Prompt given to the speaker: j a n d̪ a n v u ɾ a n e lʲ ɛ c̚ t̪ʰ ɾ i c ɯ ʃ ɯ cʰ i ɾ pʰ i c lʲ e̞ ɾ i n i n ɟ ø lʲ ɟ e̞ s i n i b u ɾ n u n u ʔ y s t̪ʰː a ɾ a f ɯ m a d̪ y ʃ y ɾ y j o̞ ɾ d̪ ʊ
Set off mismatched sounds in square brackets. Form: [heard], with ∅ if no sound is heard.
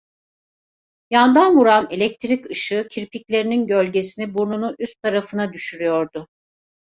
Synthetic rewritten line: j a n d̪ a n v u ɾ a n e lʲ ɛ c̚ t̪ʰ ɾ i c ɯ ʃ ɯ cʰ i ɾ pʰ i c lʲ e̞ ɾ i n i n ɟ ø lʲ ɟ e̞ s i n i b u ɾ n u n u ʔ y s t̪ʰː a ɾ a f ɯ [n] a d̪ y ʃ y ɾ y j o̞ ɾ d̪ ʊ

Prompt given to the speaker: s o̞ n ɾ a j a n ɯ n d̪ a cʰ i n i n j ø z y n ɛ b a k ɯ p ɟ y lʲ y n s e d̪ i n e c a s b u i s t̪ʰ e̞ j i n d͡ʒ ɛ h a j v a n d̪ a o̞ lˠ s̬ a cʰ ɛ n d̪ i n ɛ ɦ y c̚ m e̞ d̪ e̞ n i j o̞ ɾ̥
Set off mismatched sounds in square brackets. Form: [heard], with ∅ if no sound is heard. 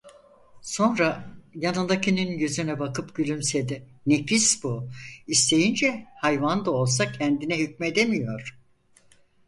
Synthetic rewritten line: s o̞ n ɾ a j a n ɯ n d̪ a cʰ i n i n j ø z y n ɛ b a k ɯ p ɟ y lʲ y [m] s e d̪ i n e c [i] s b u i s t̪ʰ e̞ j i n d͡ʒ ɛ h a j v a n d̪ a o̞ lˠ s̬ a cʰ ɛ n d̪ i n ɛ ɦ y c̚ m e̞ d̪ e̞ [m] i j o̞ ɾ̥

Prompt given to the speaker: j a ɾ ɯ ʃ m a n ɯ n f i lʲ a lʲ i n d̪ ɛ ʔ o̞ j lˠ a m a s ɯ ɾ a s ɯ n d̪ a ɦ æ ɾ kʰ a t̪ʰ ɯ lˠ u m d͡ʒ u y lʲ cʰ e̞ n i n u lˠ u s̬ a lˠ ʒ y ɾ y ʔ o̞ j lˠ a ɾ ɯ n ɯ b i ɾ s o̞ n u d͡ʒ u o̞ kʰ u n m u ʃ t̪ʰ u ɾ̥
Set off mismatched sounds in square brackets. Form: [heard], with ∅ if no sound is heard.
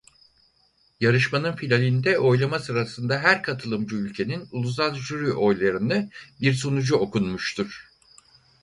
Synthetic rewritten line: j a ɾ ɯ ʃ m a n ɯ n f i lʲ a lʲ i n d̪ ɛ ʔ o̞ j lˠ a m a s ɯ ɾ a s ɯ n d̪ a ɦ æ ɾ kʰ a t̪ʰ ɯ lˠ [ɯ] m d͡ʒ u y lʲ cʰ e̞ n i n u lˠ u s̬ a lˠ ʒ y ɾ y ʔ o̞ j lˠ a ɾ ɯ n ɯ b i ɾ s o̞ n u d͡ʒ u o̞ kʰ u n m u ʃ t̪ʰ u ɾ̥

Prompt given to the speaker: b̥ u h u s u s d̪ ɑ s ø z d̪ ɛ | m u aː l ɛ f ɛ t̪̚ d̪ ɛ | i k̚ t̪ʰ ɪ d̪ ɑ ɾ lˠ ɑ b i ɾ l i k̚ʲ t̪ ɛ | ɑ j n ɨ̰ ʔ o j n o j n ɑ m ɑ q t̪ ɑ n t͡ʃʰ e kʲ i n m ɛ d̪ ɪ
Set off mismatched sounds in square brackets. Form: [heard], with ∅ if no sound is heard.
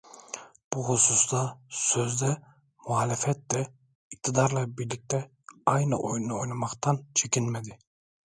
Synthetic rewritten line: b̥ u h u s u s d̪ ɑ s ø z d̪ ɛ | m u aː l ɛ f ɛ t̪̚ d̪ ɛ | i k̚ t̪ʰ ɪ d̪ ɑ ɾ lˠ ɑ b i ɾ l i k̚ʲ t̪ ɛ | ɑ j n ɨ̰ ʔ o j n o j n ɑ m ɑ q t̪ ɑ n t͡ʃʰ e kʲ i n m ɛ d̪ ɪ

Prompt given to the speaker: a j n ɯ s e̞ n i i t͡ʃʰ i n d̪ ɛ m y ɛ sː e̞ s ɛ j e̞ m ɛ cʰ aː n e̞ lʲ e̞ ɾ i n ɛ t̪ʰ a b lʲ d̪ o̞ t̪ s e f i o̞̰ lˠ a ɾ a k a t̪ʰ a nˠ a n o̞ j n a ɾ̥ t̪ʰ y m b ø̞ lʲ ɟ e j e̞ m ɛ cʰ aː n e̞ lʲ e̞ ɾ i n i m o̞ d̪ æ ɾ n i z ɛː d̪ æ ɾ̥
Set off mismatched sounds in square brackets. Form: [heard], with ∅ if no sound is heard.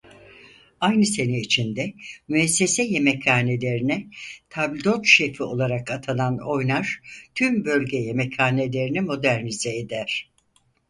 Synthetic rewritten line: a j n ɯ s e̞ n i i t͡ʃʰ i n d̪ ɛ m y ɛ sː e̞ s ɛ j e̞ m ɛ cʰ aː n e̞ lʲ e̞ ɾ i n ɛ t̪ʰ a b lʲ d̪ o̞ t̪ [ʃ] e f i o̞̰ lˠ a ɾ a k a t̪ʰ a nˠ a n o̞ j n a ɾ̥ t̪ʰ y m b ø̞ lʲ ɟ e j e̞ m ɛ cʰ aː n e̞ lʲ e̞ ɾ i n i m o̞ d̪ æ ɾ n i z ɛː d̪ æ ɾ̥

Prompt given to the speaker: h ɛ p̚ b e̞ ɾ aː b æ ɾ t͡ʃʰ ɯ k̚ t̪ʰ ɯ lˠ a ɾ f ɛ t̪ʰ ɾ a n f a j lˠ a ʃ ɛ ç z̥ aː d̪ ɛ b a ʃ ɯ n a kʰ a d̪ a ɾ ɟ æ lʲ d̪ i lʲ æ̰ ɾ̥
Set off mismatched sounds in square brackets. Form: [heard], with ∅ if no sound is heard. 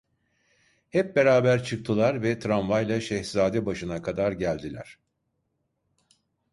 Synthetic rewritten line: h ɛ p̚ b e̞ ɾ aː b æ ɾ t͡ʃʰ ɯ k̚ t̪ʰ ɯ lˠ a ɾ [v] ɛ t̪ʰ ɾ a n [v] a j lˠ a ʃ ɛ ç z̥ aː d̪ ɛ b a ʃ ɯ n a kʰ a d̪ a ɾ ɟ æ lʲ d̪ i lʲ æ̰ ɾ̥

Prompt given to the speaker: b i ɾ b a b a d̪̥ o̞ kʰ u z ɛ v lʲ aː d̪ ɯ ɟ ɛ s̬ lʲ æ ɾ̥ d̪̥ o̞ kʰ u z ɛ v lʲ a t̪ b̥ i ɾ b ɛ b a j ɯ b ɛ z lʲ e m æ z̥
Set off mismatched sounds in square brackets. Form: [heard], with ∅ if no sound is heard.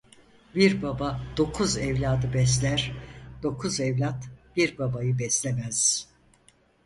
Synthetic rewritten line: b i ɾ b a b a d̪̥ o̞ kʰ u z ɛ v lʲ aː d̪ ɯ [b] ɛ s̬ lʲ æ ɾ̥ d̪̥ o̞ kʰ u z ɛ v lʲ a t̪ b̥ i ɾ b [a] b a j ɯ b ɛ [s] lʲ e m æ z̥

